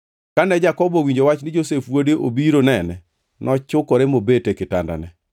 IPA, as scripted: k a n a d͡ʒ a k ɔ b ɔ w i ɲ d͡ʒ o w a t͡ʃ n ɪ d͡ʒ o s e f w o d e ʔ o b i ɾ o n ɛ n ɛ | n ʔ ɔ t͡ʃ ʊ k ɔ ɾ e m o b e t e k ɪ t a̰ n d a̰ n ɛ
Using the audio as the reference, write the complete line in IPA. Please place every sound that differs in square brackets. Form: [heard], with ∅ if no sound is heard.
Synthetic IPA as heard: k a n [ɛ] d͡ʒ a k ɔ b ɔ w i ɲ d͡ʒ o w a t͡ʃ n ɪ d͡ʒ o s e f w o d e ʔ o b i ɾ o n ɛ n ɛ | n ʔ ɔ t͡ʃ ʊ k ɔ ɾ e m o b e t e k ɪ t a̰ n d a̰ n ɛ